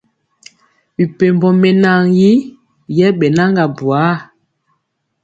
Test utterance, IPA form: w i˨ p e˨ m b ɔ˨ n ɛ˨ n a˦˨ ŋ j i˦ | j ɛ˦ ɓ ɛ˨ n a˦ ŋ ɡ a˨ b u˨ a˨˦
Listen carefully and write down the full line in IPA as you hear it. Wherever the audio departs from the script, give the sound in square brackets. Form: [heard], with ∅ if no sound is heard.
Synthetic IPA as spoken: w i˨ p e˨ m b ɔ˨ [m] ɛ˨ n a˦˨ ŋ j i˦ | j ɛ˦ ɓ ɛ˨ n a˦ ŋ ɡ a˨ b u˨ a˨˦